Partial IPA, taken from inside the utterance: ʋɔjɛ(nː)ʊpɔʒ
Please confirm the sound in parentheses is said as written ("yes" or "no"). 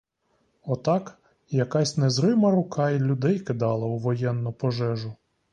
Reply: yes